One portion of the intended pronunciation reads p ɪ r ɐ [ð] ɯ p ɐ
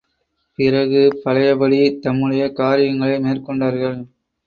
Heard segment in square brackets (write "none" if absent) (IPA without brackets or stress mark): ɣ